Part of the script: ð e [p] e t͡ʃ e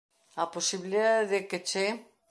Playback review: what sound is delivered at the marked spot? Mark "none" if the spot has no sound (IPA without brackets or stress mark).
k